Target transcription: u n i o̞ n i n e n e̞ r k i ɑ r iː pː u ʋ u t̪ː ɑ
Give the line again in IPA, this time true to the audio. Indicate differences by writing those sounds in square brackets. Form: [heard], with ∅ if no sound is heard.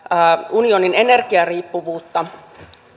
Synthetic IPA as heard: u n i o̞ n i n e n e̞ r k i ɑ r iː pː u ʋ [uː] t̪ː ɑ